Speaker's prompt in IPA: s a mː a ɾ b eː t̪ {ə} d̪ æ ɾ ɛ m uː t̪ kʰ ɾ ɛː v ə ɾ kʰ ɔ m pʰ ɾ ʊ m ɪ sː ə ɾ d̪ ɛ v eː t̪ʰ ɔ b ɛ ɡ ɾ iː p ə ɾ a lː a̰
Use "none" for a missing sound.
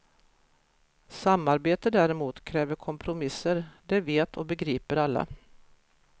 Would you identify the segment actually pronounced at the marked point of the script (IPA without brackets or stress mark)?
ə